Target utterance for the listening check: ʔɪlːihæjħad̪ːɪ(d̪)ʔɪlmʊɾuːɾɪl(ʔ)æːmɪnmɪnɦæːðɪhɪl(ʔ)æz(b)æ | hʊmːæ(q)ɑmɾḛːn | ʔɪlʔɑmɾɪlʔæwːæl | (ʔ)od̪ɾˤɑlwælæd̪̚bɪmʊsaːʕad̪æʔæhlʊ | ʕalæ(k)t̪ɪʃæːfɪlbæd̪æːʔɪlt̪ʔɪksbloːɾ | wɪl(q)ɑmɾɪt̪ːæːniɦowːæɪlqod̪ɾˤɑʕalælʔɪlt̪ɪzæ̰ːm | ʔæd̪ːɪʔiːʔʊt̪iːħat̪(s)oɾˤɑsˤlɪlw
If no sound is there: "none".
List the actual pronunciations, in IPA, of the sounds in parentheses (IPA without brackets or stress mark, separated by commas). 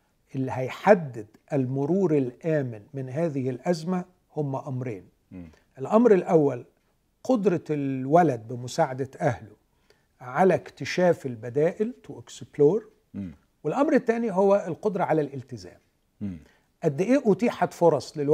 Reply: d̪, ʔ, ʔ, m, ʔ, q, k, ʔ, f